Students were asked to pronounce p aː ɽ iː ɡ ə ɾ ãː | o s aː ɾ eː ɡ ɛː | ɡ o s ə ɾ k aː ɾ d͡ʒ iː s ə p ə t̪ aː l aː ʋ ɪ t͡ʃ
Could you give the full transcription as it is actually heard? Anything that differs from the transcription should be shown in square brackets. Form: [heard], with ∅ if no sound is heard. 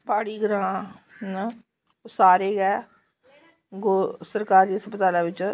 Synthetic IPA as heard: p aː ɽ iː ɡ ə ɾ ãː | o s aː ɾ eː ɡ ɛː | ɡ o s ə ɾ k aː ɾ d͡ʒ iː s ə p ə t̪ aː l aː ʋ ɪ t͡ʃ